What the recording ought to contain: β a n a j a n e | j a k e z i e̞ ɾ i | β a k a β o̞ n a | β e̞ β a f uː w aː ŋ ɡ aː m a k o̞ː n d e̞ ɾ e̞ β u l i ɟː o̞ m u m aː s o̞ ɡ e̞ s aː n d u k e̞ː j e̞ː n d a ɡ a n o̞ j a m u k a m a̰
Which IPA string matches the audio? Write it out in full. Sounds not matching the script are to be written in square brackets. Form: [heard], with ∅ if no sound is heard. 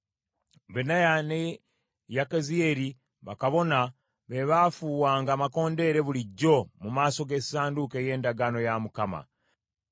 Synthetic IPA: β [e] n a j a n e | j a k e z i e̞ ɾ i | β a k a β o̞ n a | β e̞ β a f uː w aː ŋ ɡ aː m a k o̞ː n d e̞ ɾ e̞ β u l i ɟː o̞ m u m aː s o̞ ɡ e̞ s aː n d u k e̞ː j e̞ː n d a ɡ a n o̞ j a m u k a m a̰